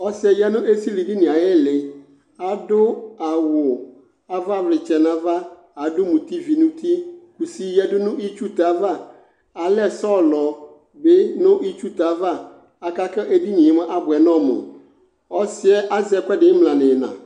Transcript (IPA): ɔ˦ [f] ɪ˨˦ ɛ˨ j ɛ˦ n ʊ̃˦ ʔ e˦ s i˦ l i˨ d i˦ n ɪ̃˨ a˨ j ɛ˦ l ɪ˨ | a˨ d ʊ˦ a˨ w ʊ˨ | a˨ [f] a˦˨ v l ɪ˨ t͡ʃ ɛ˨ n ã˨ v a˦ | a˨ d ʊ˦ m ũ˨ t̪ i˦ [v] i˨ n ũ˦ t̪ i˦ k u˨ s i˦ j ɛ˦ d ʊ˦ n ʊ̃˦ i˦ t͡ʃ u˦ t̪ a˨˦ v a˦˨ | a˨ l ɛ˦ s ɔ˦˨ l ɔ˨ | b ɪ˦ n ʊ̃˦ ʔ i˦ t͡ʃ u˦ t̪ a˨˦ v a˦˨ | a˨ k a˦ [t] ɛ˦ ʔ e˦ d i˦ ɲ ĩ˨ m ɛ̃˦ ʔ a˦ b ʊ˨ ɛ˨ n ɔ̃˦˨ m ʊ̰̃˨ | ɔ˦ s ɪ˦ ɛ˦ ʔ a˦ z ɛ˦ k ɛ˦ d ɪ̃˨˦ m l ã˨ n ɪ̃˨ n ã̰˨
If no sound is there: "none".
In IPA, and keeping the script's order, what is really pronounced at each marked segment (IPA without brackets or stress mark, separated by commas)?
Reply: s, v, v, k